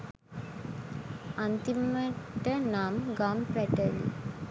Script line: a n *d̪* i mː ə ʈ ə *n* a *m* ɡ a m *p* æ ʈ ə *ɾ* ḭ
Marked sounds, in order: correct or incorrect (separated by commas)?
incorrect, correct, correct, correct, incorrect